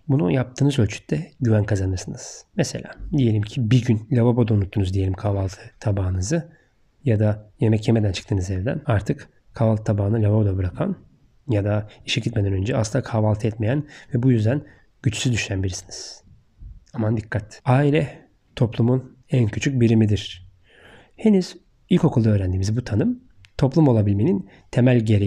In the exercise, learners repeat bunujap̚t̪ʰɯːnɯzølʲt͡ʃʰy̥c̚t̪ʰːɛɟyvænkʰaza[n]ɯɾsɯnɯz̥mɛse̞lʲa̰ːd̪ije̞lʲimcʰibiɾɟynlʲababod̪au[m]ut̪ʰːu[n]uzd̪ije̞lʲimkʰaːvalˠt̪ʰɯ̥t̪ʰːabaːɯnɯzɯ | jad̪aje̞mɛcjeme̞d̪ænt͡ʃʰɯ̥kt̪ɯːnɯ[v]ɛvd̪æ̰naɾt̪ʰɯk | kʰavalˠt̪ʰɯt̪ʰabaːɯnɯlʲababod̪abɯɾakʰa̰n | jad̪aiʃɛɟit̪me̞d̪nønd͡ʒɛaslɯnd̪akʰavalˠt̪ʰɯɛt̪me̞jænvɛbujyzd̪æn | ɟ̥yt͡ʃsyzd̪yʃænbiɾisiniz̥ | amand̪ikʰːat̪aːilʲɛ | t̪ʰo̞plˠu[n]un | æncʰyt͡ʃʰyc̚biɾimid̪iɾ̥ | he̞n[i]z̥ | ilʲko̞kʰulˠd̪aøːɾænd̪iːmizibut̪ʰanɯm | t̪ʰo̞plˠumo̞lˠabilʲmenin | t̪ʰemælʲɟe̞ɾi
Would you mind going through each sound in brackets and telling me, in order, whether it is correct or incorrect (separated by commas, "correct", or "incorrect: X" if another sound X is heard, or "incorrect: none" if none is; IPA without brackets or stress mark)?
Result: correct, incorrect: n, correct, incorrect: z, incorrect: m, incorrect: y